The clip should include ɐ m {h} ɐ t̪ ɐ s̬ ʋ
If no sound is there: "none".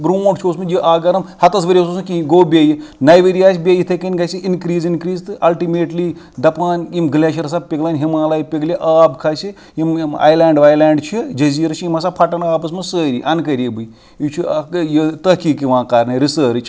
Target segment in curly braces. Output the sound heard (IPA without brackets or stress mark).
h